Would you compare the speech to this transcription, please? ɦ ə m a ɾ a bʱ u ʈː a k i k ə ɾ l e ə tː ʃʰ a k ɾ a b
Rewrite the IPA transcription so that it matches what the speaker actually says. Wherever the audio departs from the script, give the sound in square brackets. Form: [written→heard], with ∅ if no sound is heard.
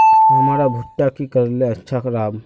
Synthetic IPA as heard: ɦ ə m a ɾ a bʱ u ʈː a k i k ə ɾ l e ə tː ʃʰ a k ɾ a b